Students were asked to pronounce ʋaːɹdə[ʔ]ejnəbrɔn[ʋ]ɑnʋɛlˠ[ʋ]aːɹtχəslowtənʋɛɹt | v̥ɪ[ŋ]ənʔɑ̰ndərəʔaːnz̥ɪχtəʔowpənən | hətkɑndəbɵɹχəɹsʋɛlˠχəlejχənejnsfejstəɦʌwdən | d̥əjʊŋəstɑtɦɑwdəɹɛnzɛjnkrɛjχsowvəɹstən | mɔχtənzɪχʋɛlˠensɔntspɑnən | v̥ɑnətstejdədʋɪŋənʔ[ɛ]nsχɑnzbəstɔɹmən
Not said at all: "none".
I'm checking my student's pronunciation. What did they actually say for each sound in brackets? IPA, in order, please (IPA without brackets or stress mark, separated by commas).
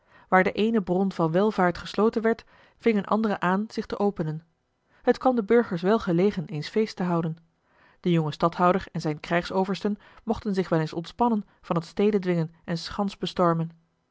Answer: ʔ, v, v, ŋ, ɛ